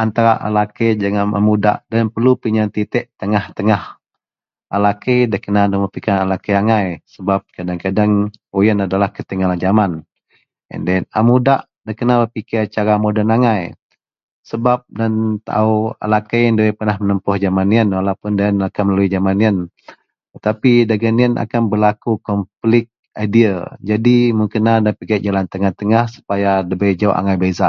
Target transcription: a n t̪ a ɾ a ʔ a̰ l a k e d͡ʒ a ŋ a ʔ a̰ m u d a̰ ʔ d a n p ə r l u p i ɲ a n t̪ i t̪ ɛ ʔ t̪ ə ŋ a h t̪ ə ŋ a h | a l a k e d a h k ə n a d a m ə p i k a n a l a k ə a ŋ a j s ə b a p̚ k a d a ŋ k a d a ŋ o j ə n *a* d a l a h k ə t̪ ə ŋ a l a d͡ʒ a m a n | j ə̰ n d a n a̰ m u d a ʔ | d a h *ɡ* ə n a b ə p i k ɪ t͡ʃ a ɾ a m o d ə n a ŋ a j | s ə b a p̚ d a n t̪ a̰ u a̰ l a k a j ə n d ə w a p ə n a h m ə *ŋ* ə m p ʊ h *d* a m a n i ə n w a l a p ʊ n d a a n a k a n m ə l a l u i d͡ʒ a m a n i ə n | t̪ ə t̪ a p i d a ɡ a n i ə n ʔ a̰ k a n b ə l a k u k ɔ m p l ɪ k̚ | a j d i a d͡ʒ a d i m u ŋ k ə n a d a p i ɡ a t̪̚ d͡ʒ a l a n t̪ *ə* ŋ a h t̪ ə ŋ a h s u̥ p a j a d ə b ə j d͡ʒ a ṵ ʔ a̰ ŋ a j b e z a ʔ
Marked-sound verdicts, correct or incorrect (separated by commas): correct, incorrect, incorrect, incorrect, correct